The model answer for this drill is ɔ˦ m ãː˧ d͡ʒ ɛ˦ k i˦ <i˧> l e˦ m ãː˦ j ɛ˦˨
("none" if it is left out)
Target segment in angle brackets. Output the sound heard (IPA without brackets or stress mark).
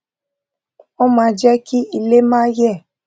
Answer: i˧